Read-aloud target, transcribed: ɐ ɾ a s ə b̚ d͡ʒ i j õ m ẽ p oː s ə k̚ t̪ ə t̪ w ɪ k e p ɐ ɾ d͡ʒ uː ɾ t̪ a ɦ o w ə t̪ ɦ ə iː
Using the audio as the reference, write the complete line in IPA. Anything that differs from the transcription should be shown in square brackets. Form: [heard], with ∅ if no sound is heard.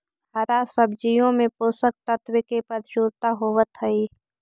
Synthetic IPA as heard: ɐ ɾ a s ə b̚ d͡ʒ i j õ m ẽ p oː s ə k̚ t̪ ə t̪ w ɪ k e p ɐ ɾ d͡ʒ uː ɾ t̪ a ɦ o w ə t̪ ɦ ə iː